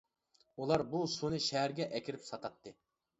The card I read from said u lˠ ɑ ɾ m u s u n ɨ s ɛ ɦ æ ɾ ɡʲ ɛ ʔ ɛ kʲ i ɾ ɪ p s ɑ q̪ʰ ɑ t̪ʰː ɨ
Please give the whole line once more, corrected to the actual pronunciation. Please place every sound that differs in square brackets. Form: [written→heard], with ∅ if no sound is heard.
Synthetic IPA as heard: u lˠ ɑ ɾ [m→b] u s u n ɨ [s→ʃ] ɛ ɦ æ ɾ ɡʲ ɛ ʔ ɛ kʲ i ɾ ɪ p s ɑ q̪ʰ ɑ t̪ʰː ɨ